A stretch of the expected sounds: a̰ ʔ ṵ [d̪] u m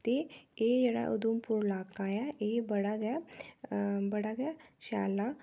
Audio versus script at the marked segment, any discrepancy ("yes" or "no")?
no